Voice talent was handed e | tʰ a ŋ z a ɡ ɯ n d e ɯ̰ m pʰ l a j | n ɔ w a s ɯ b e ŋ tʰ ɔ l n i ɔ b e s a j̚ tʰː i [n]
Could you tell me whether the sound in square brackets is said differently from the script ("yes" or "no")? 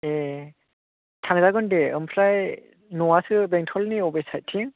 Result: yes